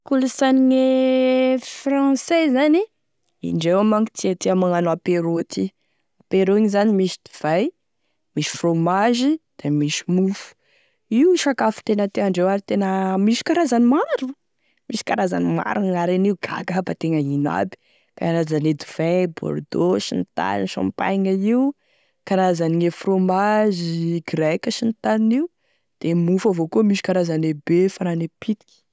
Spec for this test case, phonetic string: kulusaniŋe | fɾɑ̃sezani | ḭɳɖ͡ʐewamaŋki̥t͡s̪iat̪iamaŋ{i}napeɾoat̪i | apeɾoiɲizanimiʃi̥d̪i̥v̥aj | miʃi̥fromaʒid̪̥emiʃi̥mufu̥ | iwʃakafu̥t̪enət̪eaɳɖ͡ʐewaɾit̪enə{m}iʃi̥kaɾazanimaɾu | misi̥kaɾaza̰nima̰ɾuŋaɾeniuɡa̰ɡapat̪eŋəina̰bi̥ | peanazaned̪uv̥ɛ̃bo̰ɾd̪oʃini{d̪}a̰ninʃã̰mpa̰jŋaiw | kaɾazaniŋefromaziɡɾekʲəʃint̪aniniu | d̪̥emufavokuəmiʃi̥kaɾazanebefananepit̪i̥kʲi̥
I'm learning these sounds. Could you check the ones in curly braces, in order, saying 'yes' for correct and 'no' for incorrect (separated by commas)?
no, yes, no